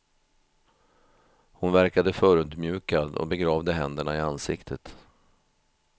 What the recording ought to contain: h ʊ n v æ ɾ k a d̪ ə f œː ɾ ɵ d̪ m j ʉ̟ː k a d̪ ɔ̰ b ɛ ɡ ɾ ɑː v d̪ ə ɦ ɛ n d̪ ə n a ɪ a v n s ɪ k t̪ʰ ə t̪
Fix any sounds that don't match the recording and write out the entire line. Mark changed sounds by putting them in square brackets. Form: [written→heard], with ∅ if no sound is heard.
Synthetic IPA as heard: h ʊ n v æ ɾ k a d̪ ə f œː ɾ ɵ d̪ m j ʉ̟ː k a d̪ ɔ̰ b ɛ ɡ ɾ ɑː v d̪ ə ɦ ɛ n d̪ ə [n→ɳ] a ɪ a [v→∅] n s ɪ k t̪ʰ ə t̪